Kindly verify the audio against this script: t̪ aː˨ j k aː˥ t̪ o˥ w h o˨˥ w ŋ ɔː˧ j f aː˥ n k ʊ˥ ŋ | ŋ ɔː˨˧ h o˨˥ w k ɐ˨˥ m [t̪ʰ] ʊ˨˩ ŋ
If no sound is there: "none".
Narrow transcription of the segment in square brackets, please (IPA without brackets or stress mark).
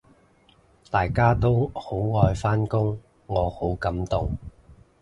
t̪